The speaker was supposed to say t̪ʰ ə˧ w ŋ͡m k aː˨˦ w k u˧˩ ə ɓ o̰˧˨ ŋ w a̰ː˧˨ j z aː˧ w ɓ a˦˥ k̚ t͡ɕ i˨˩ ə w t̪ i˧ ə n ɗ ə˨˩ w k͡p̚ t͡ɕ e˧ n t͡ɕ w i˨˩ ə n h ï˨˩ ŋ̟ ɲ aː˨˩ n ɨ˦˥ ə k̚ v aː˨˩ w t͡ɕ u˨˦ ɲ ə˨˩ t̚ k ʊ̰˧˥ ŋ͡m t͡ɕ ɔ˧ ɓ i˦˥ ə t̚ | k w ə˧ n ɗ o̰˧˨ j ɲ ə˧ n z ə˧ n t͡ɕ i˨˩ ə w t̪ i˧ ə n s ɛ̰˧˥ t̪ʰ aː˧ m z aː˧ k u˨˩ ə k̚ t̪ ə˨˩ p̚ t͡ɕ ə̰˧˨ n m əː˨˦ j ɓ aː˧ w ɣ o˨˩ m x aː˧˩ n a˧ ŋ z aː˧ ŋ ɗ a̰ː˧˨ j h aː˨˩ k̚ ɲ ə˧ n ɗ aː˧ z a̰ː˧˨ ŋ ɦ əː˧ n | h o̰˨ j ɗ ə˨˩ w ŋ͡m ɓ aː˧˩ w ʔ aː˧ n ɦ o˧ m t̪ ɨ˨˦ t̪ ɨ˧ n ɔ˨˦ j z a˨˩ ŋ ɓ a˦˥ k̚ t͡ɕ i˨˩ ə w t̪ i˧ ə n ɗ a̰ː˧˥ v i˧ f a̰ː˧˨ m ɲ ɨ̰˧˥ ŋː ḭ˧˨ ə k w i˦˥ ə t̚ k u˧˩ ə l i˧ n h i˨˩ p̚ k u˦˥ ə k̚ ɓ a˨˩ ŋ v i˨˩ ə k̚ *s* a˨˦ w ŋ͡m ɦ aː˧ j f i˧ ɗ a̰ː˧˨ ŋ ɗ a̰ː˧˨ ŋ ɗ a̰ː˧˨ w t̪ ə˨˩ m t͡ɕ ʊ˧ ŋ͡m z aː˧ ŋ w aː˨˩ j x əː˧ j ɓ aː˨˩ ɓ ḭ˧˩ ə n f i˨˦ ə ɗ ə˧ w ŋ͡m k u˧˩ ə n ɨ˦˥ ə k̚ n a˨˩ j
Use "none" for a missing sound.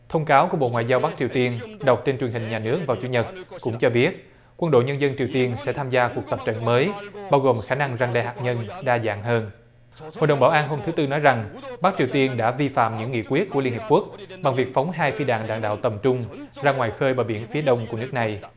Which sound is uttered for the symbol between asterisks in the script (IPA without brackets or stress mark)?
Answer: f